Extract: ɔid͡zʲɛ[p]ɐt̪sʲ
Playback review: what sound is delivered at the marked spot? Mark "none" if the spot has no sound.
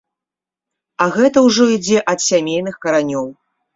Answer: ʔ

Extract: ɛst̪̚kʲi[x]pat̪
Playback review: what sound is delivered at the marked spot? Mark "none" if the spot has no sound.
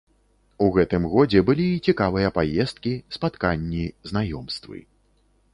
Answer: s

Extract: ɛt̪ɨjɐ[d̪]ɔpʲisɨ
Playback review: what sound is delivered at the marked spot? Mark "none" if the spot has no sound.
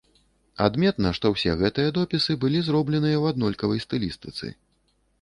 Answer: d̪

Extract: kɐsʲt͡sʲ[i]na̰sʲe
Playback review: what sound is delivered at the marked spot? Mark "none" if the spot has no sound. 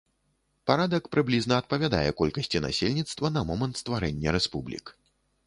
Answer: i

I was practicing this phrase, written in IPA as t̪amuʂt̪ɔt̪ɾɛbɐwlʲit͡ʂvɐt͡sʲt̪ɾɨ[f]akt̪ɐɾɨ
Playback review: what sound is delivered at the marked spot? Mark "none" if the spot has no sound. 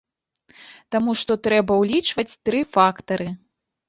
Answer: f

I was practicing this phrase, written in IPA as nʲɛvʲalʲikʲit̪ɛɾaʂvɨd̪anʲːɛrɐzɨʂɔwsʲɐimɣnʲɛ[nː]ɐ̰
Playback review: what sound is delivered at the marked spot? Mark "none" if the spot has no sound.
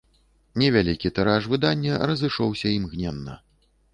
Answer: nː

